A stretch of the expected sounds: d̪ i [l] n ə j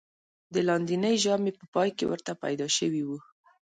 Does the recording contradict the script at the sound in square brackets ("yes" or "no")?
yes